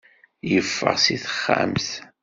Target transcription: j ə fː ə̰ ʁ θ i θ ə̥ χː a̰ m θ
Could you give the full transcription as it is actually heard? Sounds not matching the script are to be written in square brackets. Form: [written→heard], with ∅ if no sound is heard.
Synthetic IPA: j ə fː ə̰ ʁ [θ→s] i θ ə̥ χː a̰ m θ